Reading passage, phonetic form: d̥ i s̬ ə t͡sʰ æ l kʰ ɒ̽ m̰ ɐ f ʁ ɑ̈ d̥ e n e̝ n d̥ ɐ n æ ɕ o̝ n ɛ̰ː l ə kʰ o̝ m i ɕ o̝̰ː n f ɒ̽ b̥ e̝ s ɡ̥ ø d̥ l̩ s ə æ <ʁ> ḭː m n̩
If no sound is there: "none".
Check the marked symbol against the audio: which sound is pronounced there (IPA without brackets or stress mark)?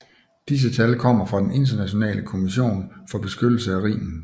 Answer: ʁ